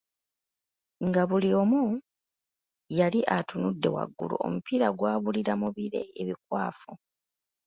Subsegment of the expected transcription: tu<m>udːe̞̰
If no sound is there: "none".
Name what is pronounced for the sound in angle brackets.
n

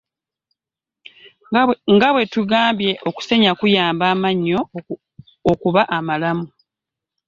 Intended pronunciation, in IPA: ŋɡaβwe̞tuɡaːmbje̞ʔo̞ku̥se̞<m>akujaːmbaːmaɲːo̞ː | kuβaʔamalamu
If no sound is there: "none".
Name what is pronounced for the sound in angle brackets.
ɲ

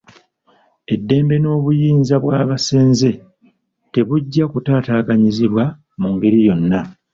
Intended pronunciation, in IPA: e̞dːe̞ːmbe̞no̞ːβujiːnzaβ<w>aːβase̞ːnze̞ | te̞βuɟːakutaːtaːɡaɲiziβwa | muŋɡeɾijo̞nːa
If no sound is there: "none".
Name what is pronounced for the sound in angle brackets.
w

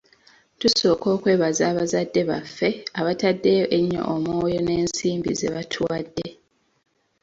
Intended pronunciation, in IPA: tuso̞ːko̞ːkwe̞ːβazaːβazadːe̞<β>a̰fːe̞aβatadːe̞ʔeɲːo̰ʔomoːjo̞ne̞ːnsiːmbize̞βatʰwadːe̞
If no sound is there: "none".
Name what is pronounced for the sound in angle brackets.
β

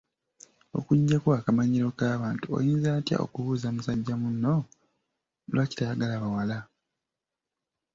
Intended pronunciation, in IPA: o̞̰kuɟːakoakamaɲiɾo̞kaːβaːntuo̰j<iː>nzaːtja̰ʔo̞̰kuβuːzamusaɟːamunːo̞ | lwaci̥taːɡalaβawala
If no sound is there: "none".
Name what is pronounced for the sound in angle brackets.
iː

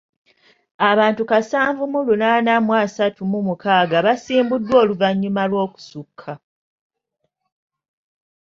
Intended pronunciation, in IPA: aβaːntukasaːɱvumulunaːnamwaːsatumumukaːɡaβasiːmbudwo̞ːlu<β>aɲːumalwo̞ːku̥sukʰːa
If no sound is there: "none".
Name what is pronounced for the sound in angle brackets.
v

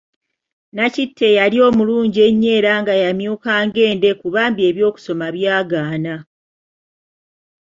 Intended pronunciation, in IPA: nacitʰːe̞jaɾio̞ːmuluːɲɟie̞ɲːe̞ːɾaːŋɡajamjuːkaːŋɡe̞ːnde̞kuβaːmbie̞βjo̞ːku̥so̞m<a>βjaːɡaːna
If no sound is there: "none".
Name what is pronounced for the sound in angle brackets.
a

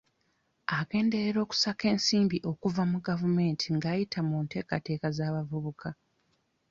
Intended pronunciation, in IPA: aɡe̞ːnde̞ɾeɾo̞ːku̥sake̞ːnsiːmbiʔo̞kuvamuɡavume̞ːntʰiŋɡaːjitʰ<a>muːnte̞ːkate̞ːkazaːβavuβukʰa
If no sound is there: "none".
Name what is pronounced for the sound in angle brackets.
a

